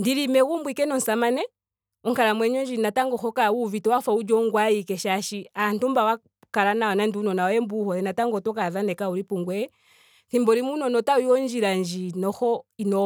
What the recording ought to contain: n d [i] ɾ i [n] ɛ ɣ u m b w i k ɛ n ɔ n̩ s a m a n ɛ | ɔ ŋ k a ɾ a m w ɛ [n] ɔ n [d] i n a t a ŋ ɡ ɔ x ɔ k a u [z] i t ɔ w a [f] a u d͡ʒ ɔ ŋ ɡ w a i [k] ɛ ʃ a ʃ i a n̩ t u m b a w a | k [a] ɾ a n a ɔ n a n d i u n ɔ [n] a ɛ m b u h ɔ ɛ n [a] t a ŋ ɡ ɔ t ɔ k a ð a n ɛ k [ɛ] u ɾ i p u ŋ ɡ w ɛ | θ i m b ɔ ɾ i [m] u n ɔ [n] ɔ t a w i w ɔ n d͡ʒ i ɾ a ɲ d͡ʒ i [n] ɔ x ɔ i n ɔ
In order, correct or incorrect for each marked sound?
correct, incorrect, incorrect, incorrect, incorrect, correct, correct, correct, correct, correct, incorrect, correct, correct, correct

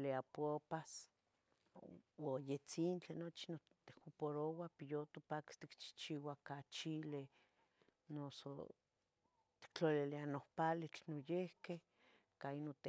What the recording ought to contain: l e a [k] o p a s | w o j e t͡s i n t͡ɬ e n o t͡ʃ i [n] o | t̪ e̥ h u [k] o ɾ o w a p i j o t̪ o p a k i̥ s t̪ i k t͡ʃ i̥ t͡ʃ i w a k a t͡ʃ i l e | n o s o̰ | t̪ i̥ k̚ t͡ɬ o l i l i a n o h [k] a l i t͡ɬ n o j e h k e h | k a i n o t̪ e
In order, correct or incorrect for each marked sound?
incorrect, correct, incorrect, incorrect

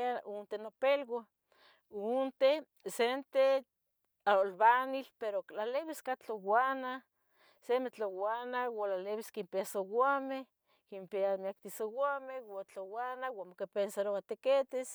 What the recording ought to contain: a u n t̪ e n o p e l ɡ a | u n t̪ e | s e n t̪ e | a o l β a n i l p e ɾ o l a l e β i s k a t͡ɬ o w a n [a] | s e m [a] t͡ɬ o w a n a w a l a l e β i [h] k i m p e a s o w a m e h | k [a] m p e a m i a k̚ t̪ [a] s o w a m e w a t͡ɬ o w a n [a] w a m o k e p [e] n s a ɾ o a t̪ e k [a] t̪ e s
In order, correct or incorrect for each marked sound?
correct, incorrect, incorrect, incorrect, incorrect, correct, correct, incorrect

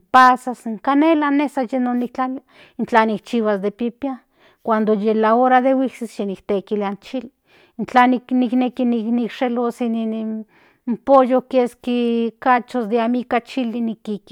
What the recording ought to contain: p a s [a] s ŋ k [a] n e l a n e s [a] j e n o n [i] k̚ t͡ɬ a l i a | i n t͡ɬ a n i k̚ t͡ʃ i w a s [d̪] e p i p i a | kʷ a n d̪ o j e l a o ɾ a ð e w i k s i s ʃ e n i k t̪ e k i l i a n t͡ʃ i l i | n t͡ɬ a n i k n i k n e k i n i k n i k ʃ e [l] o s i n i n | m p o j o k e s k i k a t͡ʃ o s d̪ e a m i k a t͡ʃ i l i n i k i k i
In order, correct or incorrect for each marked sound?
correct, correct, correct, correct, correct, correct

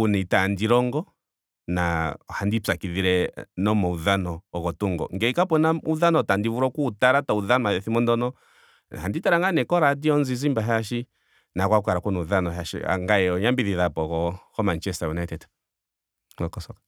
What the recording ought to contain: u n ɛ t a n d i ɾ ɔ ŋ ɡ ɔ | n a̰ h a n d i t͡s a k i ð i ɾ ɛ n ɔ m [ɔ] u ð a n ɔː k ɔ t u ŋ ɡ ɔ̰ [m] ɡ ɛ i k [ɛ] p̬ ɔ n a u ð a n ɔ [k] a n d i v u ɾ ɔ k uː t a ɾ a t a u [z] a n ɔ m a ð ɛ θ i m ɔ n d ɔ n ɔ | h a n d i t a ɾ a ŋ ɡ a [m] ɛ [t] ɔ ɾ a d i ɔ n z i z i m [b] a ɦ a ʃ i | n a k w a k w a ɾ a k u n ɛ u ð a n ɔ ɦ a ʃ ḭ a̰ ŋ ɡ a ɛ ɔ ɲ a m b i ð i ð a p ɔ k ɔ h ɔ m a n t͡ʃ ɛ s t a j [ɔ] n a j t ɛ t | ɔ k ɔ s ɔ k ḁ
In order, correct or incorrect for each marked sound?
correct, incorrect, incorrect, incorrect, incorrect, incorrect, incorrect, correct, incorrect

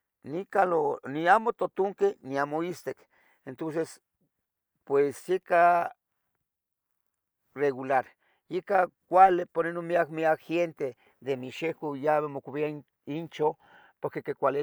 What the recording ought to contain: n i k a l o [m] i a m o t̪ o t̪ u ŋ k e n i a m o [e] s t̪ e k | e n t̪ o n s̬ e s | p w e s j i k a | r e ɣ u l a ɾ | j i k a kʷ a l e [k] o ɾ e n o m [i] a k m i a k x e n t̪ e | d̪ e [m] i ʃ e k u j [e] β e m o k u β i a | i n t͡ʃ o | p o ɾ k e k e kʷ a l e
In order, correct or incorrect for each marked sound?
incorrect, incorrect, incorrect, correct, correct, incorrect

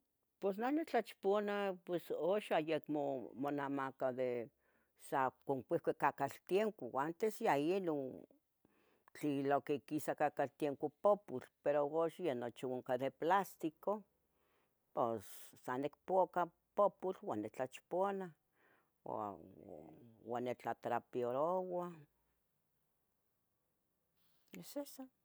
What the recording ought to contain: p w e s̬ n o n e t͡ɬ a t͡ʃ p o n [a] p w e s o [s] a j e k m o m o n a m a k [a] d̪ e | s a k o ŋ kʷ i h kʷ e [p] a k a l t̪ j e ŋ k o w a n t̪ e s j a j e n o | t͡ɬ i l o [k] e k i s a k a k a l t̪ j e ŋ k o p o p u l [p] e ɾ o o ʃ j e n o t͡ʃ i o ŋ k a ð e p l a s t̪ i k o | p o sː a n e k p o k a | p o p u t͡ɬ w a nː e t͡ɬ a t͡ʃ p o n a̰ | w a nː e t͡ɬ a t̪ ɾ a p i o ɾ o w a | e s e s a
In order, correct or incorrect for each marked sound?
correct, incorrect, correct, incorrect, correct, correct

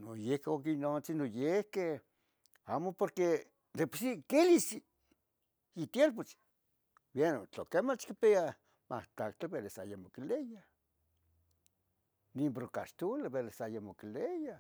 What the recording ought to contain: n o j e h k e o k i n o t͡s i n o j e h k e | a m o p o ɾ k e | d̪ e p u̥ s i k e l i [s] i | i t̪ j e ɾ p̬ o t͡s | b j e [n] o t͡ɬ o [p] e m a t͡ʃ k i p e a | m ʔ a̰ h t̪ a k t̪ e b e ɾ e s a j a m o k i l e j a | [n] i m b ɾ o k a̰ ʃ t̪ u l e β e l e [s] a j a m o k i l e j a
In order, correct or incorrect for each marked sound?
correct, correct, incorrect, correct, correct

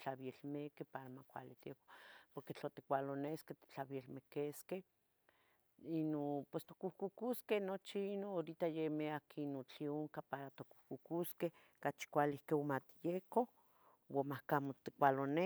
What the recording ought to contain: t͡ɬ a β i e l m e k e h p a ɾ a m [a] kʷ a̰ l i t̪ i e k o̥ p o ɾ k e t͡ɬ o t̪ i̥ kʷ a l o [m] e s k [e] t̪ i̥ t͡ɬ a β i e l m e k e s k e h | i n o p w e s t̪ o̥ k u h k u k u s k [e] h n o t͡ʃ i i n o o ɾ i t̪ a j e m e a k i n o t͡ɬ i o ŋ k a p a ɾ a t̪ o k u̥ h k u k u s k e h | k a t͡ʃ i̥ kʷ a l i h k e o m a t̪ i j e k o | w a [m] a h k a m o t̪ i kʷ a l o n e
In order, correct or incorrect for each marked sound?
correct, incorrect, correct, correct, correct

